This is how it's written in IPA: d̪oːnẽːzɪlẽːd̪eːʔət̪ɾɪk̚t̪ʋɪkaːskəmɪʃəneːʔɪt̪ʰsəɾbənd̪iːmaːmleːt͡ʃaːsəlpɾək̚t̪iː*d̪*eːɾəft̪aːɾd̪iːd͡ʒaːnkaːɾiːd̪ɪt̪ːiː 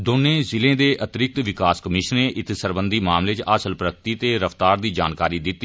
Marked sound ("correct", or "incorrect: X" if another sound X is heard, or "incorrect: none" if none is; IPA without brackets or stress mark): incorrect: t̪